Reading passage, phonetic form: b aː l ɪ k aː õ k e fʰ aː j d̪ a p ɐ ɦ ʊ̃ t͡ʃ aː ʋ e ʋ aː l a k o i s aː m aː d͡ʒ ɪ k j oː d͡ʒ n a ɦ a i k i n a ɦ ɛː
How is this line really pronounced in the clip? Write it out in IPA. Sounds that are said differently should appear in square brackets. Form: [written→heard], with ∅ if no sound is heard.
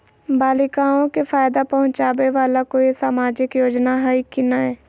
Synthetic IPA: b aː l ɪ k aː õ k e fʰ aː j d̪ a p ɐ ɦ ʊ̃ t͡ʃ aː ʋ e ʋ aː l a k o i s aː m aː d͡ʒ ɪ k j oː d͡ʒ n a ɦ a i k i n a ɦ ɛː